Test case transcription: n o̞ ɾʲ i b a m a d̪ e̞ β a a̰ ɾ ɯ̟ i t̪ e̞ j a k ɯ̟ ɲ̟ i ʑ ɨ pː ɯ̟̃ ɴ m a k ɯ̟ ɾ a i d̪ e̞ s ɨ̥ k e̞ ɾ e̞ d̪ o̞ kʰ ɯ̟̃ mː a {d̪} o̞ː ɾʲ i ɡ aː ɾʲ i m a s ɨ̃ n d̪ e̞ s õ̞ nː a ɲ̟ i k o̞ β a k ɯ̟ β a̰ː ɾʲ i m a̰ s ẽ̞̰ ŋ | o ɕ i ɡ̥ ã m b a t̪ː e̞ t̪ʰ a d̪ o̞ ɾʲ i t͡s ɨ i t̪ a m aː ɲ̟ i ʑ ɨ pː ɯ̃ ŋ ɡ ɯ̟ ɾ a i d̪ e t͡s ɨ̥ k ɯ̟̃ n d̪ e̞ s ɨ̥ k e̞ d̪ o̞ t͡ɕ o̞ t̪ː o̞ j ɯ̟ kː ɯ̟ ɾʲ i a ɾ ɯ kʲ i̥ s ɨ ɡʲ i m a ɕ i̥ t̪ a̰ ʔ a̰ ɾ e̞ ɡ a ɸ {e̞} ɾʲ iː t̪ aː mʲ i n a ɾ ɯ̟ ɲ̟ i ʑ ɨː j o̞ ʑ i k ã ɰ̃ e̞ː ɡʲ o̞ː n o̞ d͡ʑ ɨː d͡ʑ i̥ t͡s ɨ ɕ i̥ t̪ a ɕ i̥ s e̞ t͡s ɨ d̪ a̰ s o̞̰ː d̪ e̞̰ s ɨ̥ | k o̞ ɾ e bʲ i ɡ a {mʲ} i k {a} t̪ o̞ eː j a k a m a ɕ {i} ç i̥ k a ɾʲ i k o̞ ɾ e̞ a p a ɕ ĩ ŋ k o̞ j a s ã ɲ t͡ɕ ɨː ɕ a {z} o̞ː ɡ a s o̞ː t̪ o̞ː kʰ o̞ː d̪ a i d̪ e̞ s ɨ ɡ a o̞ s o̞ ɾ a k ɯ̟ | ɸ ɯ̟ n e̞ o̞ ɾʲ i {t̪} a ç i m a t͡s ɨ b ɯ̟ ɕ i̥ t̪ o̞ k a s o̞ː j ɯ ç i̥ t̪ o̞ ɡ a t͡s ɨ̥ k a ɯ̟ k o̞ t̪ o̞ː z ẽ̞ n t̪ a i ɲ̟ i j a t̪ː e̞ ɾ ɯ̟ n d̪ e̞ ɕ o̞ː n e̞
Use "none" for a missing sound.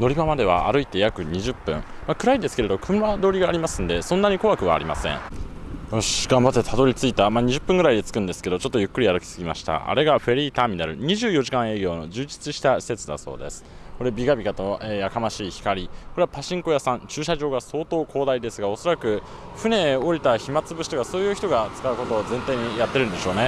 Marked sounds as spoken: d̪, e̞, bʲ, a, iː, ʑ, t̪

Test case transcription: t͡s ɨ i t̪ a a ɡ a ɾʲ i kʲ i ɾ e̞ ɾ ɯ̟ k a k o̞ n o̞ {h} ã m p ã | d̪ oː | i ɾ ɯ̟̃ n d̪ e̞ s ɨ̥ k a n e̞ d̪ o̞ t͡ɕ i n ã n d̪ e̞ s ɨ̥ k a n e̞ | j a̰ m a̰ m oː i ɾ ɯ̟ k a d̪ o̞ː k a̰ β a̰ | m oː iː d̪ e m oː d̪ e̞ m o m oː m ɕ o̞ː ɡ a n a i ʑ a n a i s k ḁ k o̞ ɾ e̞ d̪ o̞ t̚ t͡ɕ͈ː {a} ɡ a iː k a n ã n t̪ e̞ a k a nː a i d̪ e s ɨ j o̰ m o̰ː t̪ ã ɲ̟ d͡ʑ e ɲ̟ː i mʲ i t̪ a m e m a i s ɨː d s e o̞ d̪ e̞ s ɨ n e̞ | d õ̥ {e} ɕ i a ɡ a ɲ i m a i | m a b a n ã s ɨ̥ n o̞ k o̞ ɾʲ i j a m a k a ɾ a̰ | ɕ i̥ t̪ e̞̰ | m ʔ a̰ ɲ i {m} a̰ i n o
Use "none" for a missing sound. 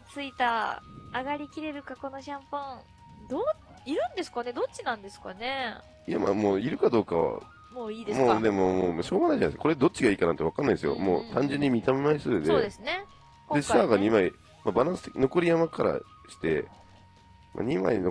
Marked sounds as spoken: ɕ, i, e, m

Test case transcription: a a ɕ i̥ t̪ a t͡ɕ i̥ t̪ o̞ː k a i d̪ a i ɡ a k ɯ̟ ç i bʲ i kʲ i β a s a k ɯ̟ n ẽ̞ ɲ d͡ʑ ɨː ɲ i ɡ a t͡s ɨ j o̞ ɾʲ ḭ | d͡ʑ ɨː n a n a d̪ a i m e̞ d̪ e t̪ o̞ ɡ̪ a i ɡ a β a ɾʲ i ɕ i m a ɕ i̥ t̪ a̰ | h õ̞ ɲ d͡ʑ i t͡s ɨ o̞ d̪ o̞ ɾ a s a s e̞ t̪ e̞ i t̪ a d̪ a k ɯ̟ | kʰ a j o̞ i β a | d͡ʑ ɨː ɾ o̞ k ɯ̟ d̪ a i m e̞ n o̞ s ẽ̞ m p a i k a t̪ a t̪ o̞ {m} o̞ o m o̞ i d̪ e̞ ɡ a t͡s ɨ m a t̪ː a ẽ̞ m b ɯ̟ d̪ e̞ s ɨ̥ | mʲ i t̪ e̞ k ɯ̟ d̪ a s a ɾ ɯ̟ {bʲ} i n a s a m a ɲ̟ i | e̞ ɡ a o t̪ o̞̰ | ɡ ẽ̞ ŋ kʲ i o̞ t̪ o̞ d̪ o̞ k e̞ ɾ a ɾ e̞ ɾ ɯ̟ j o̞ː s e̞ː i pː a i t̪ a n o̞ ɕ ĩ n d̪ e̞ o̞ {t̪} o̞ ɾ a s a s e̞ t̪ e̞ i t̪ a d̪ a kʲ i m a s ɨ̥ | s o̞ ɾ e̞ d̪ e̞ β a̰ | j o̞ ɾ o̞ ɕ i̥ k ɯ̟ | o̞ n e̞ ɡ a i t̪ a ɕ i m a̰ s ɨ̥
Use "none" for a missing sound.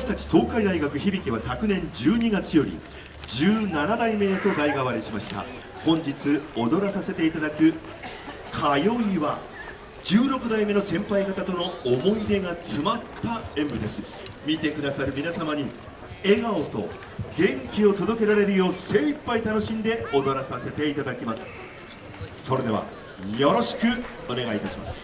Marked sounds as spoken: n, mʲ, d̪

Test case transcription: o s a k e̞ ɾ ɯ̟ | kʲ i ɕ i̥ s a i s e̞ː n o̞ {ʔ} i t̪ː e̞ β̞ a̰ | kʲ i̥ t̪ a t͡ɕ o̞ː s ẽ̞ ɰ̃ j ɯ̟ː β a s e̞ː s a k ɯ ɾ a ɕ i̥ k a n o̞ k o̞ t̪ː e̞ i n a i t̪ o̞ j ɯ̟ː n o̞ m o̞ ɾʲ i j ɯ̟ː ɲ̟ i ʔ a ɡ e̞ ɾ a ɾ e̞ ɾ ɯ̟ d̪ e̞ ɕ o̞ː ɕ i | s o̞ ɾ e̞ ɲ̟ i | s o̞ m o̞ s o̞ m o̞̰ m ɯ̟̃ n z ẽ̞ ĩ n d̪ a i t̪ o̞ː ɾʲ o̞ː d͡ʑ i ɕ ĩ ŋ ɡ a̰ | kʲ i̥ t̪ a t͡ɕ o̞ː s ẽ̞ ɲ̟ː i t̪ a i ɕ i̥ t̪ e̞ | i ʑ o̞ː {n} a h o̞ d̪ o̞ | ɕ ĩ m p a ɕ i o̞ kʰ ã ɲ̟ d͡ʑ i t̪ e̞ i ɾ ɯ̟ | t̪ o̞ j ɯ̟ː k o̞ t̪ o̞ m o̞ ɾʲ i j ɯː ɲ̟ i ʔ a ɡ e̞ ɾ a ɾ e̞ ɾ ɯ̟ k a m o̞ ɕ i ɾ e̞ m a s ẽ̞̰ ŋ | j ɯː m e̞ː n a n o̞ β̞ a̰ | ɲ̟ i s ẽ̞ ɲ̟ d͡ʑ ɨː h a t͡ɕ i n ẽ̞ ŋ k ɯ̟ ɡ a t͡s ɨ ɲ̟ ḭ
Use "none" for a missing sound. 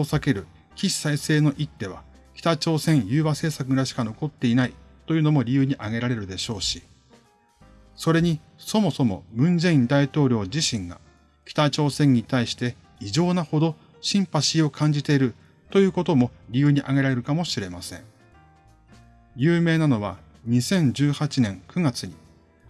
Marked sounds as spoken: ʔ, n

